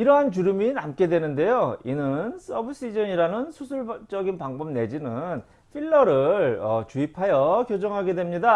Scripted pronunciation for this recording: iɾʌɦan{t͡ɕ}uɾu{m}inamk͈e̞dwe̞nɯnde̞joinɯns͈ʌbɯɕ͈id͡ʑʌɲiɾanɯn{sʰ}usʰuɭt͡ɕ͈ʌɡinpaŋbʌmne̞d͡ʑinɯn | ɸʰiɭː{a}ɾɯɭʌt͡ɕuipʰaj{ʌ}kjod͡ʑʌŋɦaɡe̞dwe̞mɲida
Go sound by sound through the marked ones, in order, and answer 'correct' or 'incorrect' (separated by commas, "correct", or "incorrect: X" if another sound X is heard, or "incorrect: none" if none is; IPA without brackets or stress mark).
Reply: correct, correct, correct, incorrect: ʌ, correct